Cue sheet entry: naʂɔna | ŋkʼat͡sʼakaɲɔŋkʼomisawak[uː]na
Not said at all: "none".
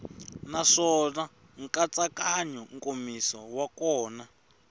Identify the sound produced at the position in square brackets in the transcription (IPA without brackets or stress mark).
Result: ɔː